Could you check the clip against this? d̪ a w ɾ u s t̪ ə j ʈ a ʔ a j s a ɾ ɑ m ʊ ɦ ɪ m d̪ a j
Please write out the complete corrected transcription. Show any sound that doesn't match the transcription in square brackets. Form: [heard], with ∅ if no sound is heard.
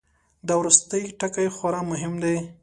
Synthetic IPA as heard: d̪ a w ɾ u s t̪ ə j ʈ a [k] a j [x] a ɾ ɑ m ʊ ɦ ɪ m d̪ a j